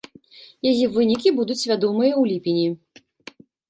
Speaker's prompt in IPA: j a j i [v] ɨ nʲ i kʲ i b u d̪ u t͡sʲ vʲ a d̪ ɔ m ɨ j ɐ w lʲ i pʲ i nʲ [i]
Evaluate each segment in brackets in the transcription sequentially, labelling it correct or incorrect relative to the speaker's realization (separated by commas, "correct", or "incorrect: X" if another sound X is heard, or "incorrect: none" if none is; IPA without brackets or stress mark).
correct, correct